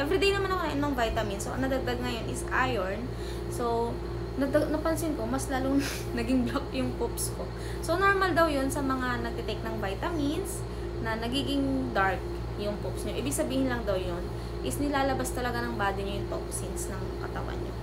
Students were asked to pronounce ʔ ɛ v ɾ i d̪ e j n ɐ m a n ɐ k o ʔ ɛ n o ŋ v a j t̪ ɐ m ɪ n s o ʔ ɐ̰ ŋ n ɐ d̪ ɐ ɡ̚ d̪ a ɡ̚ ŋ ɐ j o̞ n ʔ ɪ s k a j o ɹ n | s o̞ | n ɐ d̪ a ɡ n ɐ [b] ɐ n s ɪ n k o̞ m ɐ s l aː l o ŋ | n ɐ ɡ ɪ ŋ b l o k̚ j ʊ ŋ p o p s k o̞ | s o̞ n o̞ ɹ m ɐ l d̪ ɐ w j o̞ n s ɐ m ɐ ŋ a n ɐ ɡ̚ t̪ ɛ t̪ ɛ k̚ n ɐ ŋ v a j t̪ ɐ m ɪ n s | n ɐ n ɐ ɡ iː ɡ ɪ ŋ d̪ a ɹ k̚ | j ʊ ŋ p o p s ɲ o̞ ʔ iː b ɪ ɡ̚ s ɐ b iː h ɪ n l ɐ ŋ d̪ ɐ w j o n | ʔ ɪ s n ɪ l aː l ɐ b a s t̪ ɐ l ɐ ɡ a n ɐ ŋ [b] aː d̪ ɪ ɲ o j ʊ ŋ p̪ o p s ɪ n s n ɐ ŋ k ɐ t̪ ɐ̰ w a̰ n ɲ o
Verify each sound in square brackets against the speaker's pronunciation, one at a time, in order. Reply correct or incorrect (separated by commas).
incorrect, correct